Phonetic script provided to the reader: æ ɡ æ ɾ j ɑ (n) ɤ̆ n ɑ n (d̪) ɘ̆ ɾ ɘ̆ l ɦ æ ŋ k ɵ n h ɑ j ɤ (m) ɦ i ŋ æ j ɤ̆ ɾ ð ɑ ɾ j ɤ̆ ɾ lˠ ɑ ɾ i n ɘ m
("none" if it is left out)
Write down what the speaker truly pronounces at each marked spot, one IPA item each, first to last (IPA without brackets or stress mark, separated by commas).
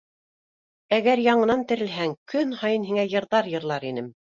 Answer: ɴ, t̪, n